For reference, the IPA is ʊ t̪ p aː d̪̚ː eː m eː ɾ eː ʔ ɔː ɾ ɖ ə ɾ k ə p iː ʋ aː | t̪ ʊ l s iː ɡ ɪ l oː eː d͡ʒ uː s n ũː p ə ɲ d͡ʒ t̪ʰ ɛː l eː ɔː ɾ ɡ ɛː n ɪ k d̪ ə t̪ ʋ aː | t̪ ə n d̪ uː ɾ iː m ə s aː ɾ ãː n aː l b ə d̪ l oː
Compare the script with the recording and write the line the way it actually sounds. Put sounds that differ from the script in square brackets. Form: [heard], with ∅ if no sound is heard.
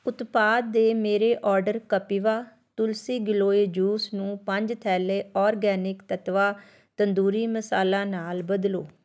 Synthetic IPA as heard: ʊ t̪ p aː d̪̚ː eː m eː ɾ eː ʔ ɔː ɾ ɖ ə ɾ k ə p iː ʋ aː | t̪ ʊ l s iː ɡ ɪ l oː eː d͡ʒ uː s n ũː p ə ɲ d͡ʒ t̪ʰ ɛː l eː ɔː ɾ ɡ ɛː n ɪ k [t̪] ə t̪ ʋ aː | t̪ ə n d̪ uː ɾ iː m ə s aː [l] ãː n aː l b ə d̪ l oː